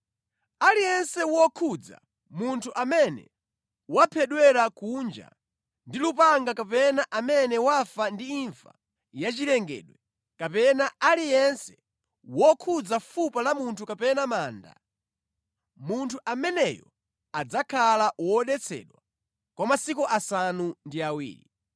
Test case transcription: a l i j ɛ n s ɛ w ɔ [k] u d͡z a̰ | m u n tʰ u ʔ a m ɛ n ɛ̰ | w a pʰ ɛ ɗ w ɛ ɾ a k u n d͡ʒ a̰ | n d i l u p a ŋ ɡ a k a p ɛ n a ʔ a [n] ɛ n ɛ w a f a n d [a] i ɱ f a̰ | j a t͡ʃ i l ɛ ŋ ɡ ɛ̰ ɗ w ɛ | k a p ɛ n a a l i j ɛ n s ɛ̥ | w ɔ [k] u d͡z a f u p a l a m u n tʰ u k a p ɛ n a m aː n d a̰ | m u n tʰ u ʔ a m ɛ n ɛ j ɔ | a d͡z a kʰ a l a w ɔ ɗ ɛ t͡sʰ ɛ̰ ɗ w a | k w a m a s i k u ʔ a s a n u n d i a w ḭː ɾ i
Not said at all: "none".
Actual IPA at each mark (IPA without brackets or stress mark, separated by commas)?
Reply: kʰ, m, i, kʰ